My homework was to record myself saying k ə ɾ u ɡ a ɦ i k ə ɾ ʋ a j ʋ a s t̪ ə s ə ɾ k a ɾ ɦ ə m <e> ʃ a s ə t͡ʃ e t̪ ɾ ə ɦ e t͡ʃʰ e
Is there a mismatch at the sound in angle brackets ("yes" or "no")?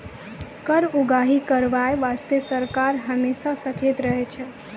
no